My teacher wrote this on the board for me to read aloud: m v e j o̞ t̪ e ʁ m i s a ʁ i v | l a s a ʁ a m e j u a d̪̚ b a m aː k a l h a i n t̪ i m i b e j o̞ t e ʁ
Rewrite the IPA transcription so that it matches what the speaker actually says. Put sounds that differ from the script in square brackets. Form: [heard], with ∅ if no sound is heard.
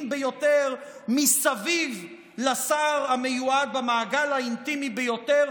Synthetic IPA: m [b] e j o̞ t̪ e ʁ m i s a [v] i v | l a s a ʁ a m e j u a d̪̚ b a m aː [ɡ] a l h a i n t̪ i m i b e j o̞ t e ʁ